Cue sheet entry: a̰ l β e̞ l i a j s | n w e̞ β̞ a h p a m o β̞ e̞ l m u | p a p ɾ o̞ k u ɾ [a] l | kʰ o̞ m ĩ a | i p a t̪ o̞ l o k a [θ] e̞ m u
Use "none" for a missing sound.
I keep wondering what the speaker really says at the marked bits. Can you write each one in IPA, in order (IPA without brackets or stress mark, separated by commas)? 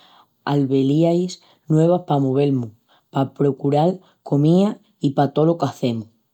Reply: a, θ